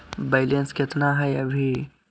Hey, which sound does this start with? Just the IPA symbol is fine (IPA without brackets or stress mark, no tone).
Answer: b